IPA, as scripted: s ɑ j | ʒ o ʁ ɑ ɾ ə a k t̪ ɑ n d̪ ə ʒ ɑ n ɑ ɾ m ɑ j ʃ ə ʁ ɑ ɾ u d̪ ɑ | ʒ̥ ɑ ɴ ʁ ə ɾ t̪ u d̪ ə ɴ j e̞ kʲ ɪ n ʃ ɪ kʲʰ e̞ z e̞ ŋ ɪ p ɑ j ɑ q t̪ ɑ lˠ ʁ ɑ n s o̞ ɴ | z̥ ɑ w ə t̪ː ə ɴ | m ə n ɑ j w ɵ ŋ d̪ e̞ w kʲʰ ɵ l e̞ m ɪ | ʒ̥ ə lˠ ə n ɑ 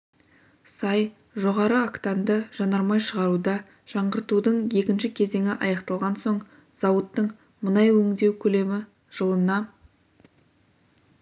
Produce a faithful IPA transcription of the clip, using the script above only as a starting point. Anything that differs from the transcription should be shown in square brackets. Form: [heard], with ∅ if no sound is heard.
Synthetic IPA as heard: s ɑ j | ʒ o ʁ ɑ ɾ ə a k t̪ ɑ n d̪ ə ʒ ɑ n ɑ ɾ m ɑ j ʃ ə ʁ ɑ ɾ u d̪ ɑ | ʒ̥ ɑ ɴ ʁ ə ɾ t̪ u d̪ ə ɴ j e̞ kʲ ɪ n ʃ ɪ kʲʰ e̞ z e̞ ŋ ɪ [ʔ] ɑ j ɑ q t̪ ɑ lˠ ʁ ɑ n s o̞ ɴ | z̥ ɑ w ə t̪ː ə ɴ | m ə n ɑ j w ɵ ŋ d̪ e̞ w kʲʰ ɵ l e̞ m ɪ | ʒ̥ ə lˠ ə n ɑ